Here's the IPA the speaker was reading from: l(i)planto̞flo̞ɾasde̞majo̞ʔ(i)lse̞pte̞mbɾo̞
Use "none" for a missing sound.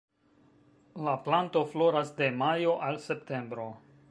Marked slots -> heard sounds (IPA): a, a

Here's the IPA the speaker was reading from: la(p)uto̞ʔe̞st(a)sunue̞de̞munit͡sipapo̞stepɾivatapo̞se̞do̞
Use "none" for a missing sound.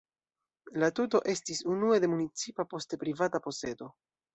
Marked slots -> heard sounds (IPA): t, i

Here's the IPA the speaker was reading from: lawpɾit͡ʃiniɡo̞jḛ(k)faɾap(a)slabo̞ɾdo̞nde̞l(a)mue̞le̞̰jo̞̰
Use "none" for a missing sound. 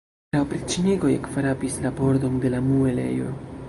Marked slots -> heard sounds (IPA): k, i, a

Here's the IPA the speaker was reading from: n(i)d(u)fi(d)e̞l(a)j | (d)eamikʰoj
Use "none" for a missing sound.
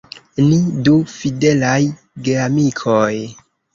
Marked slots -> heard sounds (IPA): i, u, d, a, ɡ

